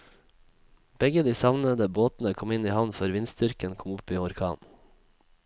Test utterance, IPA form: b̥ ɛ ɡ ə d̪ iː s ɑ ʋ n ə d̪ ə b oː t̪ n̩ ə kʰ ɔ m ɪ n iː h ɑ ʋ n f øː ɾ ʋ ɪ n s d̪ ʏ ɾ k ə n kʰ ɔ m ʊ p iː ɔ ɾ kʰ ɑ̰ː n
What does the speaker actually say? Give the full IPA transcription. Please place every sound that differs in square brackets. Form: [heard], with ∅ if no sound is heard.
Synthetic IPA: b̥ ɛ ɡ ə d̪ iː s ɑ ʋ n ə d̪ ə b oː t̪ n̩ ə kʰ ɔ m ɪ n iː h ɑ ʋ n f øː ɾ ʋ ɪ n s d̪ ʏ ɾ k ə n kʰ ɔ m ʊ p iː ɔ ɾ kʰ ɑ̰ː n